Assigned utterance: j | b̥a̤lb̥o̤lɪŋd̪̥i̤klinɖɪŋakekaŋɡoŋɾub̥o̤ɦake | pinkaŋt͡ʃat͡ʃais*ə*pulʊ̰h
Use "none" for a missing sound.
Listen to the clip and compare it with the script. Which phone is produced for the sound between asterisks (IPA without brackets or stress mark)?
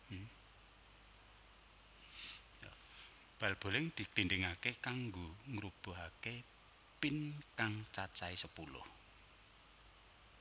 ə